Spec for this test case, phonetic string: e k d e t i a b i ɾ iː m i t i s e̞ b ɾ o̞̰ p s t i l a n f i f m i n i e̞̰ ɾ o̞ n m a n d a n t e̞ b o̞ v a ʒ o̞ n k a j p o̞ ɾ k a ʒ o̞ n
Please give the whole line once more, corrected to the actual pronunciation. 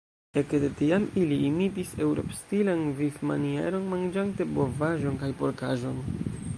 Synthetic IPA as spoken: e k d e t i a m i l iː m i t i s e̞ w ɾ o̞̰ p s t i l a n v i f m a n i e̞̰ ɾ o̞ n m a n d͡ʒ a n t e̞ b o̞ v a ʒ o̞ n k a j p o̞ ɾ k a ʒ o̞ n

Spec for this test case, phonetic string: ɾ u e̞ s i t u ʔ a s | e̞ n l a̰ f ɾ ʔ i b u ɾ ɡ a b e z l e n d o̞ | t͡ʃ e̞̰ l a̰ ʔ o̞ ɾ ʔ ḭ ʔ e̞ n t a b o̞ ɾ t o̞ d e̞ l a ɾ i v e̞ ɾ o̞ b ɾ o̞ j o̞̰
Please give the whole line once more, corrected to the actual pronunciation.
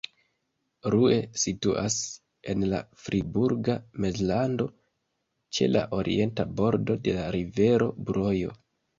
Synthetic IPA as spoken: ɾ u e̞ s i t u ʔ a s | e̞ n l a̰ f ɾ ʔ i b u ɾ ɡ a m e z l a n d o̞ | t͡ʃ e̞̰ l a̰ ʔ o̞ ɾ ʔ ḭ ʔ e̞ n t a b o̞ ɾ d o̞ d e̞ l a ɾ i v e̞ ɾ o̞ b ɾ o̞ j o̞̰

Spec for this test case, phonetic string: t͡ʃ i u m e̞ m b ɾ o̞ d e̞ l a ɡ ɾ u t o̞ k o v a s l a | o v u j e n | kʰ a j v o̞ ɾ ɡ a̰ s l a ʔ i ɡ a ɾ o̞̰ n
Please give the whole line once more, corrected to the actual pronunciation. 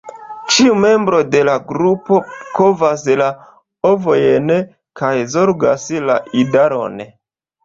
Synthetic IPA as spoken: t͡ʃ i u m e̞ m b ɾ o̞ d e̞ l a ɡ ɾ u p o̞ k o v a s l a | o v o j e n | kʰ a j z o̞ ɾ ɡ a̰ s l a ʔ i d a ɾ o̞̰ n

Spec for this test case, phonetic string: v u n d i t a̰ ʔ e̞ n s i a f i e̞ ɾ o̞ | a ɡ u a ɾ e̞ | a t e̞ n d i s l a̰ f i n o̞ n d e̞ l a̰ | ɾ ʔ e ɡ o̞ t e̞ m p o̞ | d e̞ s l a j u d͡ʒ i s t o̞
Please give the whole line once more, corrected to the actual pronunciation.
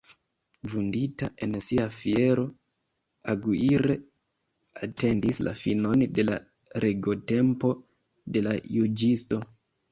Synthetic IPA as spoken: v u n d i t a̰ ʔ e̞ n s i a f i e̞ ɾ o̞ | a ɡ u i ɾ e̞ | a t e̞ n d i s l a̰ f i n o̞ n d e̞ l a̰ | ɾ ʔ e ɡ o̞ t e̞ m p o̞ | d e̞ l a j u d͡ʒ i s t o̞

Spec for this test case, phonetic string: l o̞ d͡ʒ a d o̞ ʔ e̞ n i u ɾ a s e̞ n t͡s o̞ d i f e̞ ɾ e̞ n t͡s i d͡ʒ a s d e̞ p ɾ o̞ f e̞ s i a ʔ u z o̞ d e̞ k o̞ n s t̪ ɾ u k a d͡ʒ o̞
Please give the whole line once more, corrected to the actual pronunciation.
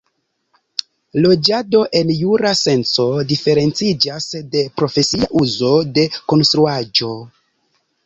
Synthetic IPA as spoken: l o̞ d͡ʒ a d o̞ ʔ e̞ n j u ɾ a s e̞ n t͡s o̞ d i f e̞ ɾ e̞ n t͡s i d͡ʒ a s d e̞ p ɾ o̞ f e̞ s i a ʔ u z o̞ d e̞ k o̞ n s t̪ ɾ u a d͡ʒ o̞

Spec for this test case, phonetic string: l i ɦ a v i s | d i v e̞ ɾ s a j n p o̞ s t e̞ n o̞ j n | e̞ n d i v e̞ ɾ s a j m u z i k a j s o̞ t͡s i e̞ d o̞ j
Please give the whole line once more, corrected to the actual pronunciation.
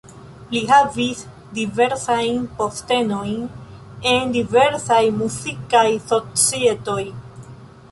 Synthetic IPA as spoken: l i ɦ a v i s | d i v e̞ ɾ s a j n p o̞ s t e̞ n o̞ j n | e̞ n d i v e̞ ɾ s a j m u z i k a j s o̞ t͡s i e̞ t o̞ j

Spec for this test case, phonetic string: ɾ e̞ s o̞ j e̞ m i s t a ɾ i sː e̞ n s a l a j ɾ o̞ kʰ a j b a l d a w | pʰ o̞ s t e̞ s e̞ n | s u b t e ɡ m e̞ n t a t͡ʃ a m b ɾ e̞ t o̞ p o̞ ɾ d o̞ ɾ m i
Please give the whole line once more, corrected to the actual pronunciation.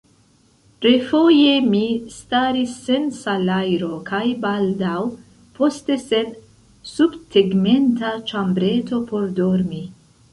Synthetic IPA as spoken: ɾ e̞ f o̞ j e̞ m i s t a ɾ i sː e̞ n s a l a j ɾ o̞ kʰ a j b a l d a w | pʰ o̞ s t e̞ s e̞ n | s u b t e ɡ m e̞ n t a t͡ʃ a m b ɾ e̞ t o̞ p o̞ ɾ d o̞ ɾ m i

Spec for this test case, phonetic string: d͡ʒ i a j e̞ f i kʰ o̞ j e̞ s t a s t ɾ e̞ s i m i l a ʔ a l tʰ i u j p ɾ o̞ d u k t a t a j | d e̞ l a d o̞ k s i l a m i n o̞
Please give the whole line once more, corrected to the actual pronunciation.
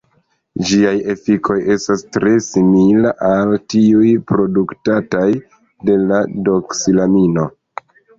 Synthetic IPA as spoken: d͡ʒ i a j e̞ f i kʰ o̞ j e̞ s t a s t ɾ e̞ s i m i l a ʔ a l t i u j p ɾ o̞ d u k t a t a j | d e̞ l a d o̞ k s i l a m i n o̞

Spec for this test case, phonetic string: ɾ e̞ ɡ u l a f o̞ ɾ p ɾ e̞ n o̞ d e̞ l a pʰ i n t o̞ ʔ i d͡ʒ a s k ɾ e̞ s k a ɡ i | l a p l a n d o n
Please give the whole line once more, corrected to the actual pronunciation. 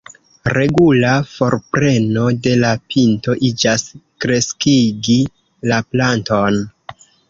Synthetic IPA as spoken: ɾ e̞ ɡ u l a f o̞ ɾ p ɾ e̞ n o̞ d e̞ l a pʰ i n t o̞ ʔ i d͡ʒ a s k ɾ e̞ s k i ɡ i | l a p l a n t o n

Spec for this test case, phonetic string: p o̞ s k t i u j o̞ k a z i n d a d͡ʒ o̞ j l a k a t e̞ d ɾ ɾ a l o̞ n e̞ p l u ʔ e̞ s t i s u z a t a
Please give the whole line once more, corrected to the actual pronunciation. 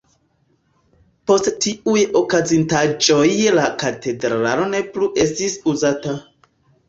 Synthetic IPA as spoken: p o̞ s t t i u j o̞ k a z i n t a d͡ʒ o̞ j l a k a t e̞ d ɾ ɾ a l o̞ n e̞ p l u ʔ e̞ s t i s u z a t a

